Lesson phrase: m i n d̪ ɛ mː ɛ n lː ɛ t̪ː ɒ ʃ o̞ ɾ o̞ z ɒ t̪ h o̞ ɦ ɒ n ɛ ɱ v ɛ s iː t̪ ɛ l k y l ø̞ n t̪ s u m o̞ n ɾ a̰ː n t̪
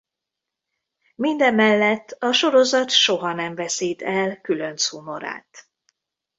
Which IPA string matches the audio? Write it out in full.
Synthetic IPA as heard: m i n d̪ ɛ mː ɛ lː ɛ t̪ː ɒ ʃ o̞ ɾ o̞ z ɒ t̪ ʃ o̞ ɦ ɒ n ɛ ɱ v ɛ s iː t̪ ɛ l k y l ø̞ n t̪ s u m o̞ ɾ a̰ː t̪